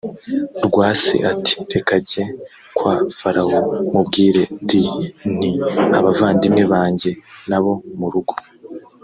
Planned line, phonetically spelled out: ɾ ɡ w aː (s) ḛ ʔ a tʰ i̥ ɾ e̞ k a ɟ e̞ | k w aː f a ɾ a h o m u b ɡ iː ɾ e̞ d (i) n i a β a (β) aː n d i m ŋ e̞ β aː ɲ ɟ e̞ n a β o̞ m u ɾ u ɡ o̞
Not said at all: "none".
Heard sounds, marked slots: s, i, v

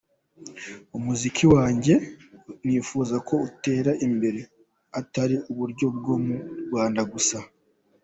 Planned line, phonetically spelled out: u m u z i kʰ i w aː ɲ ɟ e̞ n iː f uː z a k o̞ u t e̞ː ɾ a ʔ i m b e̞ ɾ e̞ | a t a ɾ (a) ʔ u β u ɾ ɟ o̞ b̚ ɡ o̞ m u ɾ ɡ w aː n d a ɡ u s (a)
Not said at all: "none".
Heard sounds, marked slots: i, a

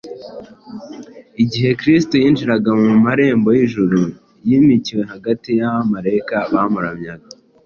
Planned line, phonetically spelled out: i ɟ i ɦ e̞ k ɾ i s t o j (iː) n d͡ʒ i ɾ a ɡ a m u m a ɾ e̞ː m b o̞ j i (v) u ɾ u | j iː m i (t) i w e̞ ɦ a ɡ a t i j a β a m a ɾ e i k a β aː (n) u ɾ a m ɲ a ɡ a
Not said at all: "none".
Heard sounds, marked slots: iː, ʒ, c, m

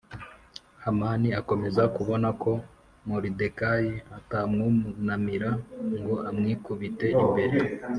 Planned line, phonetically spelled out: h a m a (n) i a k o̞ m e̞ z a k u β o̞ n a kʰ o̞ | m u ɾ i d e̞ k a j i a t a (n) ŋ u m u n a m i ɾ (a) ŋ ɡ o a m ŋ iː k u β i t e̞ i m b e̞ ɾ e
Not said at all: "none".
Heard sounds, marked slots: n, m, a

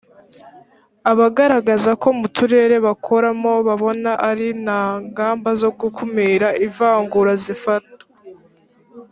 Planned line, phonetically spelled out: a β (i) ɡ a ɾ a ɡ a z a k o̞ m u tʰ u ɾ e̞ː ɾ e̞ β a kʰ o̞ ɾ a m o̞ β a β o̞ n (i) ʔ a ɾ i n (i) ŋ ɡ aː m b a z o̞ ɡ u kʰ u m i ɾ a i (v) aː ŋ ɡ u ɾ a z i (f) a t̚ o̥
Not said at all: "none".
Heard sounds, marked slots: a, a, a, v, f

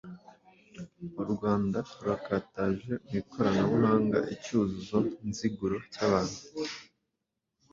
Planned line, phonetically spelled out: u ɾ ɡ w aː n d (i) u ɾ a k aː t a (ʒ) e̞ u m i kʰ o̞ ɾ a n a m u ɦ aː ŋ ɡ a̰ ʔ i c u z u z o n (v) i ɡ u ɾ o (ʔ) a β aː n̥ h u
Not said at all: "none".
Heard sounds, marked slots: a, ʒ, z, c

